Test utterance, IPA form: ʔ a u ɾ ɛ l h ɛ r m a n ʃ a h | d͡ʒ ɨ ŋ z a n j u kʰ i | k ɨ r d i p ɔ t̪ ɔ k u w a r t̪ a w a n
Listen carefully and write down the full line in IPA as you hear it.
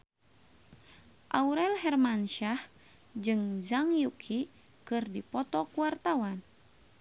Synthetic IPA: ʔ a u ɾ ɛ l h ɛ r m a n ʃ a h | d͡ʒ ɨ ŋ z a ŋ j u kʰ i | k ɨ r d i p ɔ t̪ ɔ k u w a r t̪ a w a n